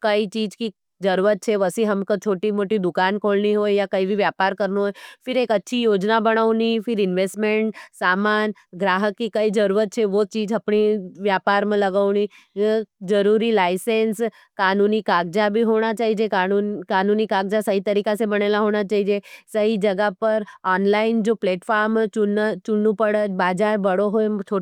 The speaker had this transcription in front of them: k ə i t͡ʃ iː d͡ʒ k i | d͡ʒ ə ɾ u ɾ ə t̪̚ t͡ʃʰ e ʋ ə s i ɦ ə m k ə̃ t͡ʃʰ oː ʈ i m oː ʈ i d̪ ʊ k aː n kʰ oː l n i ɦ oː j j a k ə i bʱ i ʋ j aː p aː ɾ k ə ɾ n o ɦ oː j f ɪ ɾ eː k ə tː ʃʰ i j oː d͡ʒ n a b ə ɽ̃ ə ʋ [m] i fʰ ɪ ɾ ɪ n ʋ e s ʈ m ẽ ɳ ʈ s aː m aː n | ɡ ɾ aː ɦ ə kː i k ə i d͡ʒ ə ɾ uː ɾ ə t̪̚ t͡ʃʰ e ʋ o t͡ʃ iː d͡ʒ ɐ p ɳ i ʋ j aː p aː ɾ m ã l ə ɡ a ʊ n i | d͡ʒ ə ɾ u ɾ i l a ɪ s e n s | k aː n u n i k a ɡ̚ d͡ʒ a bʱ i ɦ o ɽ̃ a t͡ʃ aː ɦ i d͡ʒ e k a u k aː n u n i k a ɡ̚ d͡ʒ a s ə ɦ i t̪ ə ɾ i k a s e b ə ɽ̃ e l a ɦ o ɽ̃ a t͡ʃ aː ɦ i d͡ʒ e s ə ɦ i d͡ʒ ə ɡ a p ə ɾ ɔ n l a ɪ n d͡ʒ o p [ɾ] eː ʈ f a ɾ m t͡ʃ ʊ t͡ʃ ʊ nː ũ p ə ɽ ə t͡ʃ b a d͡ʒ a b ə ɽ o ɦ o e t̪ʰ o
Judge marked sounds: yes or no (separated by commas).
no, no